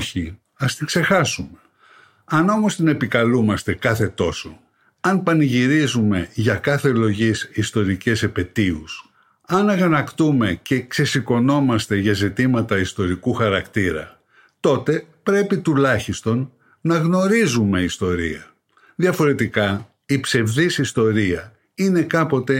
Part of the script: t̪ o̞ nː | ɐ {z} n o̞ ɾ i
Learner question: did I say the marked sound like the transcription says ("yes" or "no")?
no